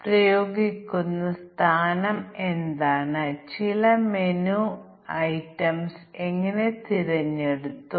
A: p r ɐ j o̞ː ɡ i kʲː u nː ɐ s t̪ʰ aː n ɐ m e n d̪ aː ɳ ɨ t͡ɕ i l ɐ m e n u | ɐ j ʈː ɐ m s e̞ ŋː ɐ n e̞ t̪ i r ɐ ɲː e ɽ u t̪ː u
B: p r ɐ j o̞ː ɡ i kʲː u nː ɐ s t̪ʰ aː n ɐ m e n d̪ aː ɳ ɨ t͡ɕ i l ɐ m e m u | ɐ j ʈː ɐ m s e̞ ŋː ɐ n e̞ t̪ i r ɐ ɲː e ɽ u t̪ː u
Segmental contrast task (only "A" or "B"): A